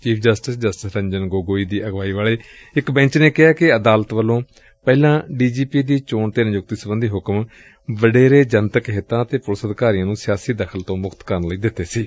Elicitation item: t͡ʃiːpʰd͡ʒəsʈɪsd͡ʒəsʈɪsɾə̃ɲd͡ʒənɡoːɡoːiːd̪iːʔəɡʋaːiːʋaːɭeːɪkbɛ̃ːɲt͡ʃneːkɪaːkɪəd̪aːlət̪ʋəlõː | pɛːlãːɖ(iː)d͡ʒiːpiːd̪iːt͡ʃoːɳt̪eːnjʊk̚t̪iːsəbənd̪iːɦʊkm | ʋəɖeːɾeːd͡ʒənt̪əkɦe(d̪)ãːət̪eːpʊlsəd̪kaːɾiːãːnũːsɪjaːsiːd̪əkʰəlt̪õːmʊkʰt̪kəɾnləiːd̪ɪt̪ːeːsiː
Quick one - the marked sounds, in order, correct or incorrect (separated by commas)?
correct, incorrect